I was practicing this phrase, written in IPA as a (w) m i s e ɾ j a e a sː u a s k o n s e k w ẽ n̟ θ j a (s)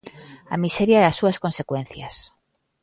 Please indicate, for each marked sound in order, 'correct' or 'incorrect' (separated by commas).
incorrect, correct